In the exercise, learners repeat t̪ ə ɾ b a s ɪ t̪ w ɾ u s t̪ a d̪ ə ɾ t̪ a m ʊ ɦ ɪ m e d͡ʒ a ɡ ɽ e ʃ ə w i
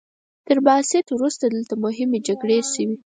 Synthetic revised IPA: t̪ ə ɾ b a s ɪ t̪ w ɾ u s t̪ a d̪ ə l t̪ a m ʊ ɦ ɪ m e d͡ʒ a ɡ ɽ e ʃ ə w i